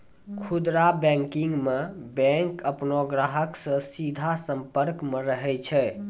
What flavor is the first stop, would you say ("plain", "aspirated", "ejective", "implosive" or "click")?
aspirated